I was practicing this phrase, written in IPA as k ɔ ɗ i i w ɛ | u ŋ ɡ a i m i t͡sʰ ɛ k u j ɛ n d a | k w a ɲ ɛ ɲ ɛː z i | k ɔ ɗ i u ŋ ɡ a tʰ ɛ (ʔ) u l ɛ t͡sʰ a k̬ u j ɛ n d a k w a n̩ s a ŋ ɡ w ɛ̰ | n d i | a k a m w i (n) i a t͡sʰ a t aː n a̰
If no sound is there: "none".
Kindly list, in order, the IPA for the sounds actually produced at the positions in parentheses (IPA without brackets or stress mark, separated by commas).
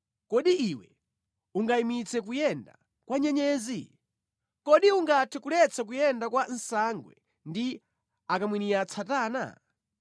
k, n